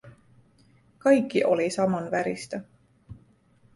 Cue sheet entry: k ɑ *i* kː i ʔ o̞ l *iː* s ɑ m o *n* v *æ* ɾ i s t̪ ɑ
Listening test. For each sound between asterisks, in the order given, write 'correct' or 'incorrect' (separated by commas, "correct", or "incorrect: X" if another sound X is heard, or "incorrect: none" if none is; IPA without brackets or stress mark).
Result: incorrect: j, incorrect: i, correct, correct